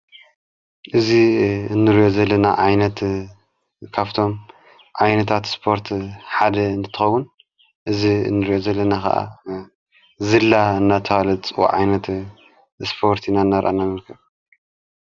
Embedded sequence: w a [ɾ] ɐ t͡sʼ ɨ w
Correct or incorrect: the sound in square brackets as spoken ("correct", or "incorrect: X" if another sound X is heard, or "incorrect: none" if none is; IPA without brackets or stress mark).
incorrect: l